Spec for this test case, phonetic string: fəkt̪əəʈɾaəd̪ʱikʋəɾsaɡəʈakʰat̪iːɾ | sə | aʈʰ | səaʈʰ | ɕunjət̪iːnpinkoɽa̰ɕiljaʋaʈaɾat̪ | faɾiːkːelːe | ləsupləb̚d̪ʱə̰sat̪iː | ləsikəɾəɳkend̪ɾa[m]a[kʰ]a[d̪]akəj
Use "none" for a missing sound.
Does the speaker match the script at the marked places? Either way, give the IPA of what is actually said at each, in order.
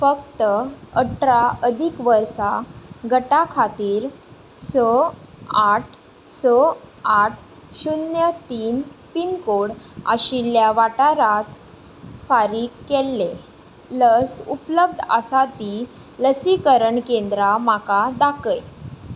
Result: m, k, d̪

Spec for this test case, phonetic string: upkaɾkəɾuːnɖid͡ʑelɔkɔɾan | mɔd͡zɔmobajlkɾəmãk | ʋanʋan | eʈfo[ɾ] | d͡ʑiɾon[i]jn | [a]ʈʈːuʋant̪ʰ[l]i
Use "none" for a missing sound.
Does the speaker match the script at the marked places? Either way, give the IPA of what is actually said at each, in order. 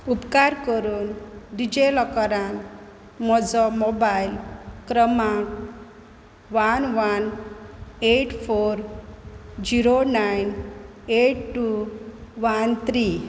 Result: ɾ, a, e, ɾ

